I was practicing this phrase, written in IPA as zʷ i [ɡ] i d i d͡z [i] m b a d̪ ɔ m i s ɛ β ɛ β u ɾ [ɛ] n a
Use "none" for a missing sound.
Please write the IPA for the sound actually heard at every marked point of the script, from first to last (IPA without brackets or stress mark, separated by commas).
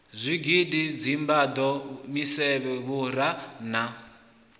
ɡ, i, a